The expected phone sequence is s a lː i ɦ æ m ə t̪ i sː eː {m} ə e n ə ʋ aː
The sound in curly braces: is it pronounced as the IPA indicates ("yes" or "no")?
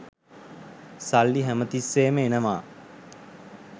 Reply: yes